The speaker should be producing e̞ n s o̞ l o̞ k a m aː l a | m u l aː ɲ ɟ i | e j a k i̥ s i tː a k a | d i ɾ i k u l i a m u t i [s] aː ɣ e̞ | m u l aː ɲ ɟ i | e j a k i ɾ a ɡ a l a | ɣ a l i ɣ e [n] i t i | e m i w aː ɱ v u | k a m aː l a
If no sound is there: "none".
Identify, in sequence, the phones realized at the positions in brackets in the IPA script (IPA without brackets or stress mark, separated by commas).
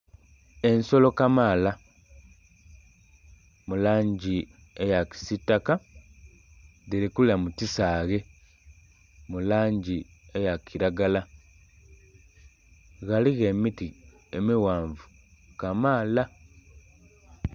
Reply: s, m